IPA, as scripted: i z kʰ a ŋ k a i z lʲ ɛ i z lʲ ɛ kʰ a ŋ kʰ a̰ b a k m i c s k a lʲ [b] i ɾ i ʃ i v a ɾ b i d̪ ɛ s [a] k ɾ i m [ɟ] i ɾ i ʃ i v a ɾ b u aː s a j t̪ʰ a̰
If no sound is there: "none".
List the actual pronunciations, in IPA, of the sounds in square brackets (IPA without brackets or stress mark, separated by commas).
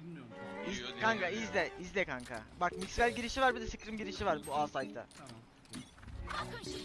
ɟ, i, ɟ